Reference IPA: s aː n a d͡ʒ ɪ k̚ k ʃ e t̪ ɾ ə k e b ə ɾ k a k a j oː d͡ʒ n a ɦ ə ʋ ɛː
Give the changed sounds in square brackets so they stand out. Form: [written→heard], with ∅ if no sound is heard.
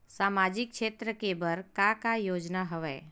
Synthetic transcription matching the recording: s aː [n→m] a d͡ʒ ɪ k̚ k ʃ e t̪ ɾ ə k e b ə ɾ k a k a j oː d͡ʒ n a ɦ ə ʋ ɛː